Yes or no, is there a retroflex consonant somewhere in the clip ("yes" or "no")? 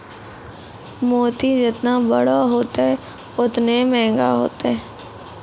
yes